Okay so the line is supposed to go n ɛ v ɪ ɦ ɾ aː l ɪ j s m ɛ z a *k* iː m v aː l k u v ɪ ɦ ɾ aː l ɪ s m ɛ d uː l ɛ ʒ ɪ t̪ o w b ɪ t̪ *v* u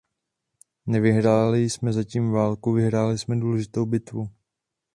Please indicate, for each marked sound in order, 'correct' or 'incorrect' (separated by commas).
incorrect, correct